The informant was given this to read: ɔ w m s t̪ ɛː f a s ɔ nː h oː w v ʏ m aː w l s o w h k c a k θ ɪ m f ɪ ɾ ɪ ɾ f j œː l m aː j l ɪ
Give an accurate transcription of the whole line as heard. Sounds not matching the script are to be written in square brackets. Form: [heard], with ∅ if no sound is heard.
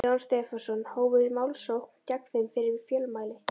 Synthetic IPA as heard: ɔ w [n] s t̪ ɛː f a s ɔ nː h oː w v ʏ m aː w l s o w h k c a k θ ɪ m f ɪ ɾ ɪ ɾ f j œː l m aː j l ɪ